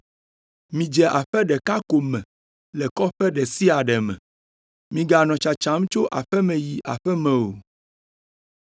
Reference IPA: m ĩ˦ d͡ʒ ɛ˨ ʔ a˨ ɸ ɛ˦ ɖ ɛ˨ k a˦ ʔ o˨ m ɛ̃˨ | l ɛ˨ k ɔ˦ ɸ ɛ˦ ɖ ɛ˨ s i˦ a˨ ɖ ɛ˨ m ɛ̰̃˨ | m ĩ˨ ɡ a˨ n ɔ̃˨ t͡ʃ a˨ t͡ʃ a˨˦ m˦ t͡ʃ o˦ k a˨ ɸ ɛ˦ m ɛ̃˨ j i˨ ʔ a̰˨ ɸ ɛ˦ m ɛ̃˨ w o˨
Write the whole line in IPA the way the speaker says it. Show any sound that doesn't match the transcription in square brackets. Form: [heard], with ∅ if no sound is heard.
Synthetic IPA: m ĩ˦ d͡ʒ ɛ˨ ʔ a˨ ɸ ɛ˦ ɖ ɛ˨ k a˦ [k] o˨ m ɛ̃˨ | l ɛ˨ k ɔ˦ ɸ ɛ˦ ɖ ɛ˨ s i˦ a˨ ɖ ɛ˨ m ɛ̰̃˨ | m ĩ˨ ɡ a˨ n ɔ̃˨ t͡ʃ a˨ t͡ʃ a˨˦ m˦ t͡ʃ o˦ [ʔ] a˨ ɸ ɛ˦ m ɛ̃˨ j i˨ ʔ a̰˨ ɸ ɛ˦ m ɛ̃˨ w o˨